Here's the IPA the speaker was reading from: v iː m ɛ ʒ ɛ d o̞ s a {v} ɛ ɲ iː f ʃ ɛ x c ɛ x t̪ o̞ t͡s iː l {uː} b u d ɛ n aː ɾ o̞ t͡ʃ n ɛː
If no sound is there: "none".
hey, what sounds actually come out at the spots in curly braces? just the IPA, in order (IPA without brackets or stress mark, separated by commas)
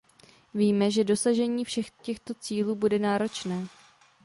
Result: ʒ, uː